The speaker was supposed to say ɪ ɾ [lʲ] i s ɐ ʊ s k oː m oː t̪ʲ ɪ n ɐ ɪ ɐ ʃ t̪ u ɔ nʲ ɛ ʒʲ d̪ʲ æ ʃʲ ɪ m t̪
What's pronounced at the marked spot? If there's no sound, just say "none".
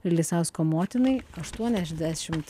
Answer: lʲ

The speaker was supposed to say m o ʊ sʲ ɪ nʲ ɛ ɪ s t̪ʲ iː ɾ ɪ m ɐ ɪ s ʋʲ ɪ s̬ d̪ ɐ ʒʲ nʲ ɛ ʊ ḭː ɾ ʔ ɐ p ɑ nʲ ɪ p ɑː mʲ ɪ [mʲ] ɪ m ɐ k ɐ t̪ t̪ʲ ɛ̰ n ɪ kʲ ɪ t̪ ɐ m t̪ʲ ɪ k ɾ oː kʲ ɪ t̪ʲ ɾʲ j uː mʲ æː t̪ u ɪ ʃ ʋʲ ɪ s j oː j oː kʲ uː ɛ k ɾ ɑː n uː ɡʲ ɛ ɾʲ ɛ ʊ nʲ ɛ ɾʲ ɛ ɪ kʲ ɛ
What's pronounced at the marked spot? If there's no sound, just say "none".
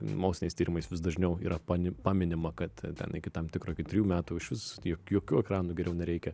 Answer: nʲ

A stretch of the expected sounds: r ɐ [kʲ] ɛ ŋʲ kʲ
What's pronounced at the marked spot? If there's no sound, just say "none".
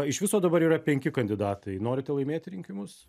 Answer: pʲ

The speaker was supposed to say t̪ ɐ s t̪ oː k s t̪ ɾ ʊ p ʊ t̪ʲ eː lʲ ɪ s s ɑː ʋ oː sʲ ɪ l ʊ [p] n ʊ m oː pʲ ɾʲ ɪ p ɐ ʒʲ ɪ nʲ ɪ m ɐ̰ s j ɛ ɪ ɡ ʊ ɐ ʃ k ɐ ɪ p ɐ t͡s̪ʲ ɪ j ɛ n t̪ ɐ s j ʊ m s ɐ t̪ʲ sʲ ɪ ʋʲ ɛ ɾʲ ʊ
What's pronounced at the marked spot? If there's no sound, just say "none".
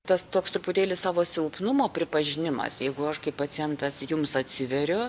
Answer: p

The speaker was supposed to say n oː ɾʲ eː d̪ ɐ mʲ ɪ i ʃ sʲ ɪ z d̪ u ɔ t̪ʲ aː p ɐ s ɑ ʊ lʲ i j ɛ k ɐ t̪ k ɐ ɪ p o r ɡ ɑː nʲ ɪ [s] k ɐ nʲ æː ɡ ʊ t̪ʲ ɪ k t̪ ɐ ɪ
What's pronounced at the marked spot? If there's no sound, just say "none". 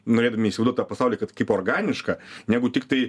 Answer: ʃ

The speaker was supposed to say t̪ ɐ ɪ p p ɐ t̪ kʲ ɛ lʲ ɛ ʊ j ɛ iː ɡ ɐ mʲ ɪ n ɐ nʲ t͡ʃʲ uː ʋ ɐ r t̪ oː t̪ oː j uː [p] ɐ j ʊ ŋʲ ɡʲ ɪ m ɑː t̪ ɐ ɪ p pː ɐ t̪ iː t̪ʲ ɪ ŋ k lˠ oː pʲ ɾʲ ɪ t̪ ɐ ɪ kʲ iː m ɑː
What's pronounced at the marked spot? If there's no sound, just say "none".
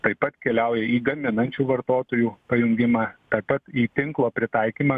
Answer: p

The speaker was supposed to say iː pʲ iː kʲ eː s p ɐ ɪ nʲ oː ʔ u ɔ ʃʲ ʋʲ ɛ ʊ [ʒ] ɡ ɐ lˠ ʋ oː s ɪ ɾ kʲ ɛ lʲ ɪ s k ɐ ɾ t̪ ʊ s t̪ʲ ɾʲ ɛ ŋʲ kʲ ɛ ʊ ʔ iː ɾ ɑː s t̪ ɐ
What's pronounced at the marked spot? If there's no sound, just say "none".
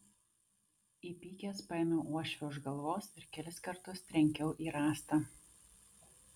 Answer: ʒ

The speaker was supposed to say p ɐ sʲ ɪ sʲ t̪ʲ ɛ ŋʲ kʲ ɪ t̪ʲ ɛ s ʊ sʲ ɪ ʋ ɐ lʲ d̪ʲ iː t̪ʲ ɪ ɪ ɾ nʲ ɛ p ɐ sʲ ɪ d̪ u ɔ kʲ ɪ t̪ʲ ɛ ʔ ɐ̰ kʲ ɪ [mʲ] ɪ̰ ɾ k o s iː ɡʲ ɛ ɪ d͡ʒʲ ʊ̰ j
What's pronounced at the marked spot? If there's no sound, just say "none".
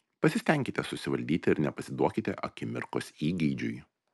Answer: mʲ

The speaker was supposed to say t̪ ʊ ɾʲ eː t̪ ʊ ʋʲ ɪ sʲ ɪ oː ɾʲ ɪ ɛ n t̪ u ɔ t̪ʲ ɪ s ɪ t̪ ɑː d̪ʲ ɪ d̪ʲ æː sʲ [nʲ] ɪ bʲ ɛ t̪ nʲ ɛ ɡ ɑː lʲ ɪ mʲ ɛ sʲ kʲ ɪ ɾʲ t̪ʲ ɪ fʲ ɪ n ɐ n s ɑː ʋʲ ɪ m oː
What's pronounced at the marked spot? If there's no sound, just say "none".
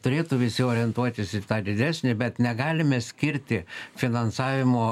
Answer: nʲ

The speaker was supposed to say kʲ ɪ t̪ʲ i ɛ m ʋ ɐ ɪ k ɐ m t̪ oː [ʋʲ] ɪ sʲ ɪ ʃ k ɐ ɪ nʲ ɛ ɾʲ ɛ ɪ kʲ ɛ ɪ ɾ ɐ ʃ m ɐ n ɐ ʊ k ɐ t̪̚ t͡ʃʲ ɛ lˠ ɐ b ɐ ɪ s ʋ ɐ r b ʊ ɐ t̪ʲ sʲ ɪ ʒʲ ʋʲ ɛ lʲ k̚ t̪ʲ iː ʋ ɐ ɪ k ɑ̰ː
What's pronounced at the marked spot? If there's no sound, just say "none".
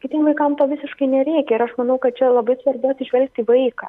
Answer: ʋʲ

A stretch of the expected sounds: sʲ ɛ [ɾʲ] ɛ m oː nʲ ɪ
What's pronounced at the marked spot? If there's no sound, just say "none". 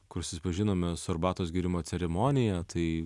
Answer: ɾʲ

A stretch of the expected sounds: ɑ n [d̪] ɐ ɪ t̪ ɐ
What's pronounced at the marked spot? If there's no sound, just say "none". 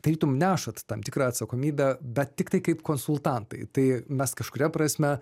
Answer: t̪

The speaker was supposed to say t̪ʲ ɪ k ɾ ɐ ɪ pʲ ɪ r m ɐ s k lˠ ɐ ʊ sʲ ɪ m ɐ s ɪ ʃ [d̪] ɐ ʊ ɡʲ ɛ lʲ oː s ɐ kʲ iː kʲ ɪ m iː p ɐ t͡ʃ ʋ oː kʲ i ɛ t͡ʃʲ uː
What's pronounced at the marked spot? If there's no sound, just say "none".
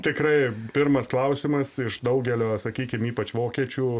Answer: d̪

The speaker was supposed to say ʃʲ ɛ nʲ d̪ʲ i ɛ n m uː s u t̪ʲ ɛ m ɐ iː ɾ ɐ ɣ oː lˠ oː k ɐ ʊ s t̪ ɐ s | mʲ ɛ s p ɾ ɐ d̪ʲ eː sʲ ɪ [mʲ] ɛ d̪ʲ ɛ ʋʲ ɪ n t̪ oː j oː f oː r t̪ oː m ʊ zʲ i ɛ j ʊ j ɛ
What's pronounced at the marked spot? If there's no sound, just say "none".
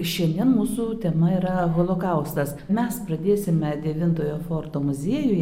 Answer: mʲ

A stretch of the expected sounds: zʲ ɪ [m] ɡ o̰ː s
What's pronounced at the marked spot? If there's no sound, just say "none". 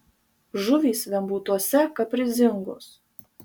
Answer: ŋ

